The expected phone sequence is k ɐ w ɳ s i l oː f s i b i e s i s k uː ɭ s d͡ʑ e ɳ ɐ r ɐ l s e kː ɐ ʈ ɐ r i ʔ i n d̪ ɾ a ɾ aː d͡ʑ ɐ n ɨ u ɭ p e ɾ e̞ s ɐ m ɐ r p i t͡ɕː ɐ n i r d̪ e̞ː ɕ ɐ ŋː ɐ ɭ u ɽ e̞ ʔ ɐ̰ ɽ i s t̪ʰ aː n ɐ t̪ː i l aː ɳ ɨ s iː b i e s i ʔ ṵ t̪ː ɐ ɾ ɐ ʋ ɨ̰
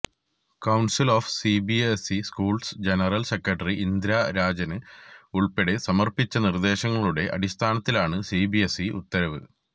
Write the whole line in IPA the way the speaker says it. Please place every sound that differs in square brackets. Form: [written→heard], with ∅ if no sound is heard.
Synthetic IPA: k ɐ w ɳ s i l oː f s i b i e s i s k uː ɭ s d͡ʑ e [ɳ→n] ɐ r ɐ l s e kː ɐ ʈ ɐ r i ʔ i n d̪ ɾ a ɾ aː d͡ʑ ɐ n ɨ u ɭ p e [ɾ→ɽ] e̞ s ɐ m ɐ r p i t͡ɕː ɐ n i r d̪ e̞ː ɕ ɐ ŋː ɐ ɭ u ɽ e̞ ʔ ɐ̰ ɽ i s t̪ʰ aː n ɐ t̪ː i l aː ɳ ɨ s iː b i e s i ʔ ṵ t̪ː ɐ ɾ ɐ ʋ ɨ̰